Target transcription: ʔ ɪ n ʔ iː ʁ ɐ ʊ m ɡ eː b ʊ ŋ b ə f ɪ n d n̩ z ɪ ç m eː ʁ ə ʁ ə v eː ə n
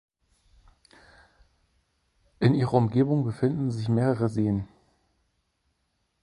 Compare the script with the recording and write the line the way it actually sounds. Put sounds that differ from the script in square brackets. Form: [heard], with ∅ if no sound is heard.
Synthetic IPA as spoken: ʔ ɪ n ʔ iː ʁ ɐ ʊ m ɡ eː b ʊ ŋ b ə f ɪ n d n̩ z ɪ ç m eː ʁ ə ʁ ə [z] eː ə n